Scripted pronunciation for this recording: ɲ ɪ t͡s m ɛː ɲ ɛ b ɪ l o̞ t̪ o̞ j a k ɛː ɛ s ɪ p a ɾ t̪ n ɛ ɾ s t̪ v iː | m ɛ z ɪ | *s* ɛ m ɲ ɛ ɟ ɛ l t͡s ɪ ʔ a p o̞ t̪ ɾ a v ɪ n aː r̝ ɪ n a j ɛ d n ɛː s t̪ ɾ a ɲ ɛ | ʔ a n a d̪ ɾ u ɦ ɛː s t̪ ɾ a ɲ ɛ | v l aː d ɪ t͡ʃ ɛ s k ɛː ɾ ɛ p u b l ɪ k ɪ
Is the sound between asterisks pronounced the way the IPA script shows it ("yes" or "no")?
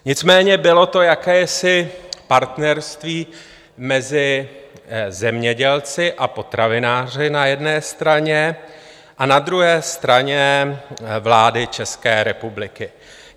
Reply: no